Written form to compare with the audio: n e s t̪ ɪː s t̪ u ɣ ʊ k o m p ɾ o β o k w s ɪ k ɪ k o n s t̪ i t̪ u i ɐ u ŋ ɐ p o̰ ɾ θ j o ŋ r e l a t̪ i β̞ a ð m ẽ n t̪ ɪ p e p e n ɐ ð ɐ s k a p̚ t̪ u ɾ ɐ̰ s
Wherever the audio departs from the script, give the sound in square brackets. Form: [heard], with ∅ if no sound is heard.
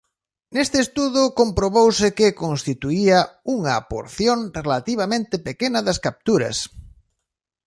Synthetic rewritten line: n e s t̪ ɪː s t̪ u [ð] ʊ k o m p ɾ o β o [∅] w s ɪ k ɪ k o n s t̪ i t̪ u i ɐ u ŋ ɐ p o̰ ɾ θ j o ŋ r e l a t̪ i β̞ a [∅] m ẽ n t̪ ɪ p e [k] e n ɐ ð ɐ s k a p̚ t̪ u ɾ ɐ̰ s